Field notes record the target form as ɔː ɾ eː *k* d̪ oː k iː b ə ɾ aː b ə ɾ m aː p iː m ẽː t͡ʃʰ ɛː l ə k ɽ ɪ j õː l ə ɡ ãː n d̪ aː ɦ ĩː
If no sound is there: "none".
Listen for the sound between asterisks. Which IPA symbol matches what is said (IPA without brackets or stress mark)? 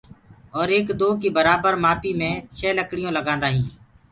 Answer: k